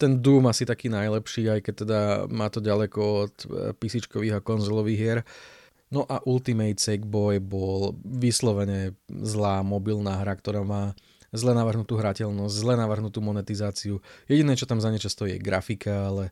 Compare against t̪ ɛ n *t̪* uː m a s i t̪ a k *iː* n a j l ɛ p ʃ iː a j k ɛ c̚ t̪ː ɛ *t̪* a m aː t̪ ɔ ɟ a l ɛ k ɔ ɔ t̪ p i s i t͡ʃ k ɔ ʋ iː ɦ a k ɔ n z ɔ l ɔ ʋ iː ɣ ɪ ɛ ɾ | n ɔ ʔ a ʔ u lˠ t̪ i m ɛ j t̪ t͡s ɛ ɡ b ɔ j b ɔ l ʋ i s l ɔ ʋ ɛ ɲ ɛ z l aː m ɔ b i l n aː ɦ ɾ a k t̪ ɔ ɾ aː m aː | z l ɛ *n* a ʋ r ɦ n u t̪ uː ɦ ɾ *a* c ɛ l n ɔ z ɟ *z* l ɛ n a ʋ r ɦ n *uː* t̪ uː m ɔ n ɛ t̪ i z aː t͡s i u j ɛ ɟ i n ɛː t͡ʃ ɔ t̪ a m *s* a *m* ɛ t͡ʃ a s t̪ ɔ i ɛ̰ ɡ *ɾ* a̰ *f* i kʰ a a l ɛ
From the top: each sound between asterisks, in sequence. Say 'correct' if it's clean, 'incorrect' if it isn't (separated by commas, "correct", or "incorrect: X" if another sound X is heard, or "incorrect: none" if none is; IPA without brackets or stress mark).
incorrect: d̪, correct, incorrect: d̪, correct, correct, correct, incorrect: u, incorrect: z, incorrect: ɲ, correct, correct